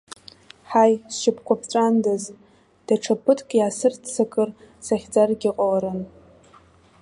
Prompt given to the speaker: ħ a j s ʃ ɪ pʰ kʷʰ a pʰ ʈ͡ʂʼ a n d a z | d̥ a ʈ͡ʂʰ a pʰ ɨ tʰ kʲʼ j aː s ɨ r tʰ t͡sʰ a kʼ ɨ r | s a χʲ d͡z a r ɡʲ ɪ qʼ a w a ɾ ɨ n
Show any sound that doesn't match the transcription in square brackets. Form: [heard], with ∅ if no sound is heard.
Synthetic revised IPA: ħ a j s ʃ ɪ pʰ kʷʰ a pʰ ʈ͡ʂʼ a n d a z | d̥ a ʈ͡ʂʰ a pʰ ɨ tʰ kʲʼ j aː s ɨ r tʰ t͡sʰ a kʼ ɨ r | s a χʲ d͡z a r ɡʲ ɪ qʼ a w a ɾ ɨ n